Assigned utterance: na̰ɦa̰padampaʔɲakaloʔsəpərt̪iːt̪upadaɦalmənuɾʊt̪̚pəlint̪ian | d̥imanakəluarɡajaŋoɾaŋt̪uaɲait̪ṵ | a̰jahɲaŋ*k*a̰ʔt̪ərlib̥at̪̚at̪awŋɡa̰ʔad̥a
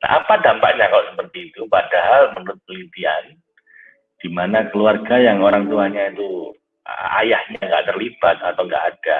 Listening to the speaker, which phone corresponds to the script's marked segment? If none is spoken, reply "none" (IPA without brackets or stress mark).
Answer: ɡ